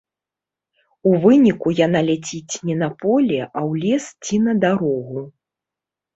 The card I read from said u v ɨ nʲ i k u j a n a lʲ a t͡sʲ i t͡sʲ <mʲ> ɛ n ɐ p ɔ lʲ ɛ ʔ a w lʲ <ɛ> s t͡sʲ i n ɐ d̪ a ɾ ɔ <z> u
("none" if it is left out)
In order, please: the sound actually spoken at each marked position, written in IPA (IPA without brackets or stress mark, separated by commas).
nʲ, ɛ, ɣ